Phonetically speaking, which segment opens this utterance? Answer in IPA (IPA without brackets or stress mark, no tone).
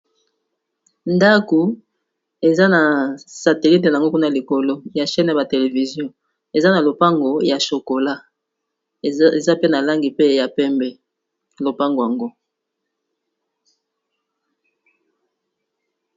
n